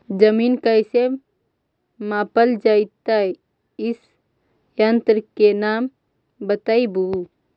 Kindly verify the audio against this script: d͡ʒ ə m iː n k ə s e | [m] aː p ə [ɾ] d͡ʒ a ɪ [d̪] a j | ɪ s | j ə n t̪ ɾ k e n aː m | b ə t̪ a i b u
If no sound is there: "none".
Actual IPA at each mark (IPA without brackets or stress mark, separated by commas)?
m, l, t̪